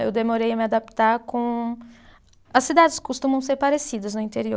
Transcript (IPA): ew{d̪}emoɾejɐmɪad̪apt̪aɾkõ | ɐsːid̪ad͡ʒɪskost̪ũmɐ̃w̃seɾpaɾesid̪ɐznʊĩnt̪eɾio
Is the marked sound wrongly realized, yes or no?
no